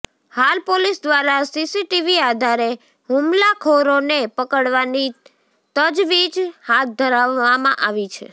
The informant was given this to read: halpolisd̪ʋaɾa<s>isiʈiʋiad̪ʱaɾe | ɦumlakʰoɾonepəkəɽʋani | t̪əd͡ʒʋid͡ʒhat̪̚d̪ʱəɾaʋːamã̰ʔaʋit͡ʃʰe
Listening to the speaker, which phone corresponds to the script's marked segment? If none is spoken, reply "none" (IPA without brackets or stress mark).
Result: s